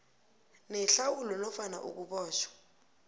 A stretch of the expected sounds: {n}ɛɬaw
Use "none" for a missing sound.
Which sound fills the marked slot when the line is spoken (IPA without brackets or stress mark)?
n